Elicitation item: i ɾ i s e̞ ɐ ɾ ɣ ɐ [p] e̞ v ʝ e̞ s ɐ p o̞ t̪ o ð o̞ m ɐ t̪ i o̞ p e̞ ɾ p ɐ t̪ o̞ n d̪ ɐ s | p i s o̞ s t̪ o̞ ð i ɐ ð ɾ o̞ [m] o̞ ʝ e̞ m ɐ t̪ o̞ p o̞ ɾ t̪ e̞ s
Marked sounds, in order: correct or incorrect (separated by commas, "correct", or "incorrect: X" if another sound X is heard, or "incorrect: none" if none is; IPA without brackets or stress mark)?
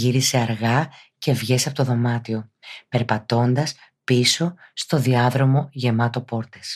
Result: incorrect: c, correct